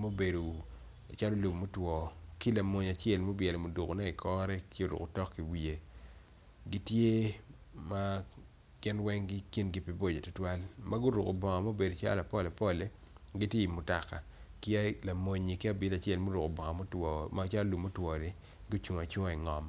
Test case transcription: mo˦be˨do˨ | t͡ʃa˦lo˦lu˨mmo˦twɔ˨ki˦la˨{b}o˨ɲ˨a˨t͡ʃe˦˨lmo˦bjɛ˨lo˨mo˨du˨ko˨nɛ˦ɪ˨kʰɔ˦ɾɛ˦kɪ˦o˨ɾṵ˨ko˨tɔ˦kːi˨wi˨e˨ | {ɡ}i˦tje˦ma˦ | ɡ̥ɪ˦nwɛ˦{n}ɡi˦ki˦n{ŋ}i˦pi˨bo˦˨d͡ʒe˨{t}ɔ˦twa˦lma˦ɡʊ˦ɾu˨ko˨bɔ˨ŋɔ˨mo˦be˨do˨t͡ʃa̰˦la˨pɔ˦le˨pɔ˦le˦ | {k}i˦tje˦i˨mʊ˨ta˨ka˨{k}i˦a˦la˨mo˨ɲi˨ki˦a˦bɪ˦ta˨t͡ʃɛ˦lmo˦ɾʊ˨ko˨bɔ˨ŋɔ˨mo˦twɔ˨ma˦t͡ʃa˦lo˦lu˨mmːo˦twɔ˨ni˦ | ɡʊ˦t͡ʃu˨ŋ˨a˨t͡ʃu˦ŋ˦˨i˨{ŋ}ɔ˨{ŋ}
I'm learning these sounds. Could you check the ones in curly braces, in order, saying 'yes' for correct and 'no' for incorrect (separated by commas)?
no, yes, no, no, yes, no, yes, yes, no